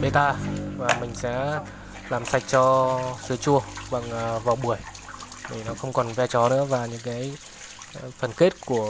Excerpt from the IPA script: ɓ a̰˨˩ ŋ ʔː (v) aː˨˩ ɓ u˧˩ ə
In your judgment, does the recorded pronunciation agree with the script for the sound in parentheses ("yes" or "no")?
yes